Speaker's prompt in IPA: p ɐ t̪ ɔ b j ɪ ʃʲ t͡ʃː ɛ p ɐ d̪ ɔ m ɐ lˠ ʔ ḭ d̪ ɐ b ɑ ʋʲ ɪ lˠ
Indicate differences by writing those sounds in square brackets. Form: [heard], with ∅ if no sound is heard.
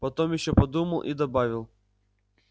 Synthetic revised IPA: p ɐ t̪ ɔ [m] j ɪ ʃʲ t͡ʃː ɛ p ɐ d̪ [u] m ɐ lˠ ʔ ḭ d̪ ɐ b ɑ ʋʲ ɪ lˠ